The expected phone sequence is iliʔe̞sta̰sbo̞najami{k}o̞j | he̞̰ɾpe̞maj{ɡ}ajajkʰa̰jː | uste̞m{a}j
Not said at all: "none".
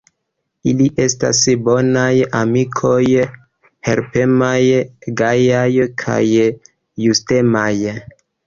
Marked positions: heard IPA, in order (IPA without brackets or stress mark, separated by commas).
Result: kʰ, ɡ, a